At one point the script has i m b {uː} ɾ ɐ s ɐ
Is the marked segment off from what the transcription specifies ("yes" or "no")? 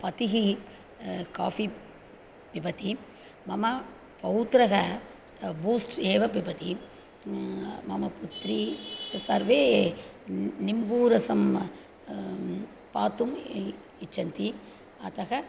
no